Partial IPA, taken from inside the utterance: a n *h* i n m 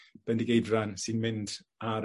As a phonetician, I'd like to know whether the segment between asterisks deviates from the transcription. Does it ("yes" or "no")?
yes